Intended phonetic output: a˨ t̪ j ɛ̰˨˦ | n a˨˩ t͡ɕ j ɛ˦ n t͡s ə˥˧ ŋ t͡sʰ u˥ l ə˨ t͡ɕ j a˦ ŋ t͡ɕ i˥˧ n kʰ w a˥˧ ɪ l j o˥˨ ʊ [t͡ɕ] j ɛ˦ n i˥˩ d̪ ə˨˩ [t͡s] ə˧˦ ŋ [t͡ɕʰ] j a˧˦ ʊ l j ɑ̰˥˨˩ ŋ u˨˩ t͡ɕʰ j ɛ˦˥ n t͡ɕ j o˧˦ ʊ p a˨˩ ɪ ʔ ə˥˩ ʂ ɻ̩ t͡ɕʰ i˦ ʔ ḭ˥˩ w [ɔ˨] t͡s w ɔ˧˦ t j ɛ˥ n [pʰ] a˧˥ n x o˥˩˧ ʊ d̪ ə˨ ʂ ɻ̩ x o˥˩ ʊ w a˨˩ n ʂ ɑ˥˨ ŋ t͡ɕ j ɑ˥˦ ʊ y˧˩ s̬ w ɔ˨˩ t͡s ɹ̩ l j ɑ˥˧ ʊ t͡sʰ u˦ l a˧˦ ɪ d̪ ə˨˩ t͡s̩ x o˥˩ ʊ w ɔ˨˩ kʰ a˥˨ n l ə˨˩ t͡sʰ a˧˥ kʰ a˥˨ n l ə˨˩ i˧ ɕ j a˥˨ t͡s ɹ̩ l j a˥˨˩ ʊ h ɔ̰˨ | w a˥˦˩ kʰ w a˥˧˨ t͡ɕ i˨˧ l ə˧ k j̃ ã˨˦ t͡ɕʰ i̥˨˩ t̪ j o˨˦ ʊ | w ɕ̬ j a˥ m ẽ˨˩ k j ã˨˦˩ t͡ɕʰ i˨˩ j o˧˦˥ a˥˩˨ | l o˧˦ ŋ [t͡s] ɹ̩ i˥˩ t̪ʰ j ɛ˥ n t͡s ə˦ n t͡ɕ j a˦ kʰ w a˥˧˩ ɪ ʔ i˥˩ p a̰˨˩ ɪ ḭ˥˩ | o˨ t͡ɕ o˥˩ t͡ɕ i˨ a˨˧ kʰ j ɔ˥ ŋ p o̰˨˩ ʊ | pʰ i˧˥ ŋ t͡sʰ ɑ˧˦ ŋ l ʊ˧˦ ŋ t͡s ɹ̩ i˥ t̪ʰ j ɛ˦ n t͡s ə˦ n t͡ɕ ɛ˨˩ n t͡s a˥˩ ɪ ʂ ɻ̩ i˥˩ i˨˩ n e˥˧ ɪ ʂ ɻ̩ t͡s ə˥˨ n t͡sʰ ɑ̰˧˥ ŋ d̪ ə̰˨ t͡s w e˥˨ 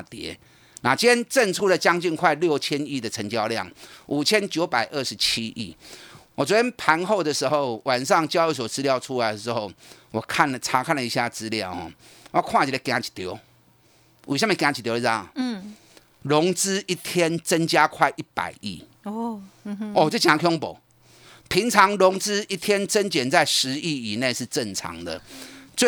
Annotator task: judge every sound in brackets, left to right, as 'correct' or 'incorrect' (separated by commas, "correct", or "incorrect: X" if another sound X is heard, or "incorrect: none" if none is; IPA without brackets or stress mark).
incorrect: t͡ɕʰ, incorrect: t͡sʰ, incorrect: t͡ɕ, correct, correct, correct